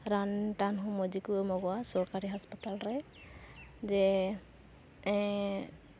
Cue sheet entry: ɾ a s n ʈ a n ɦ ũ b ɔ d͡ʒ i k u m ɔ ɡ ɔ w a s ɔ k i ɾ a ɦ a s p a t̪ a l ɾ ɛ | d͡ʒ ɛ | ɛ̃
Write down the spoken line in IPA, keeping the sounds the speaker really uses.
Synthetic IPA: ɾ a n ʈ a n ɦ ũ m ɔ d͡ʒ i k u m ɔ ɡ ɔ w a s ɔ k a ɾ i ɦ a s p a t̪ a l ɾ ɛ | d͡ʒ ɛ | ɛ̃